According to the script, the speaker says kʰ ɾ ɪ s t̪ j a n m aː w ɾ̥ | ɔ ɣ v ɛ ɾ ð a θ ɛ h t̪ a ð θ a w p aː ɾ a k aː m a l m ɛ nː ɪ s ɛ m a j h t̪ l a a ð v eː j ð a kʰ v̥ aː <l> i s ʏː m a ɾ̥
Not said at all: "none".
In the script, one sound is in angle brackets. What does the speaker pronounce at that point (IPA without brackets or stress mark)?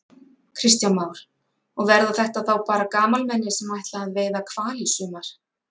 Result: l